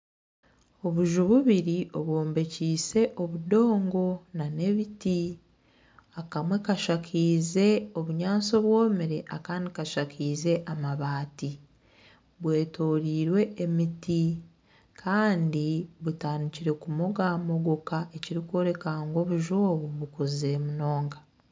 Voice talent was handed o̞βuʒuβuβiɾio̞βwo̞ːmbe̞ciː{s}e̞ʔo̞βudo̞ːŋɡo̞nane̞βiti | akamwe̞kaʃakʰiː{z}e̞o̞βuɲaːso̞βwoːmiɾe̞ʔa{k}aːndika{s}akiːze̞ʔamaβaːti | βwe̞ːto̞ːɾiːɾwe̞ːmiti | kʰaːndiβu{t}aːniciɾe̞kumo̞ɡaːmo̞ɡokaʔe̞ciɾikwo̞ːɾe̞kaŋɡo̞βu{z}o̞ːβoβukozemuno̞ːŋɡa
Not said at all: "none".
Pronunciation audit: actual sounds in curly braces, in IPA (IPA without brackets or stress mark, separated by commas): s, z, k, ʃ, t, ʒ